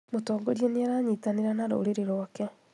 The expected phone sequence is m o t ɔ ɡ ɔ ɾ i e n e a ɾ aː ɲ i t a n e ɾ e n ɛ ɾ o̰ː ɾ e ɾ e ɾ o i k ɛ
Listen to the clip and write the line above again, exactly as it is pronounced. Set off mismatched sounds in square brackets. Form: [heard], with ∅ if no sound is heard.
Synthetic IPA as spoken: m o t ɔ ɡ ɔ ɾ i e n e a ɾ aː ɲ i t a n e ɾ [a] n [a] ɾ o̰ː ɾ e ɾ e ɾ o [a] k ɛ